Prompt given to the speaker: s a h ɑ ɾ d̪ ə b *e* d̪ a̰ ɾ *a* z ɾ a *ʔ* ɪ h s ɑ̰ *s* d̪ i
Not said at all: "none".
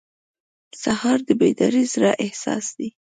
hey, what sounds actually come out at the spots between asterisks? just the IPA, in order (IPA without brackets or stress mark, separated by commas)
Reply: e, i, ʔ, s